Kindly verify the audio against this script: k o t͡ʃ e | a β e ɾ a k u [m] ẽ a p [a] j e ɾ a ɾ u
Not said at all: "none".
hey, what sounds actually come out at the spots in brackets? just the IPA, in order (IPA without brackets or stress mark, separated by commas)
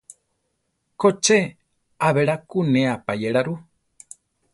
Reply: n, a